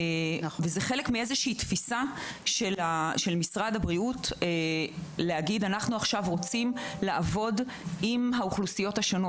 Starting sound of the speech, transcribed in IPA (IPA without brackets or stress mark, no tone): v